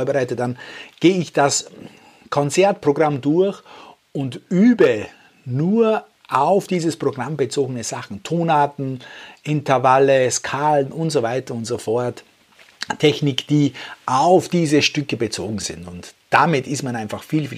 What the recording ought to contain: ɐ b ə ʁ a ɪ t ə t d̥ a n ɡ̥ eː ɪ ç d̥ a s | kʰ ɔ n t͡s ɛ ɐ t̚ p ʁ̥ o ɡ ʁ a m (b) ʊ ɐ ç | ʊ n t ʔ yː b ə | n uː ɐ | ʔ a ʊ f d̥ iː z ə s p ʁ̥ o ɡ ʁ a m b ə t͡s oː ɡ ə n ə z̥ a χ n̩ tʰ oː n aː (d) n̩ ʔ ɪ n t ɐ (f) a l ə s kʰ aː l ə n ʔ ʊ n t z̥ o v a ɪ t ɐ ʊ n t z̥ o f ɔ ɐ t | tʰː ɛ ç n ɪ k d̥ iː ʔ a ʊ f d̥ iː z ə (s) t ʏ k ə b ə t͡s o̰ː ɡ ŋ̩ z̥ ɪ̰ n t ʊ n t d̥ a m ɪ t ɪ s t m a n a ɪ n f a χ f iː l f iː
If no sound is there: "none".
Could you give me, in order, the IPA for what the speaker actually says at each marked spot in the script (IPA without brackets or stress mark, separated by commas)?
d, t, v, ʃ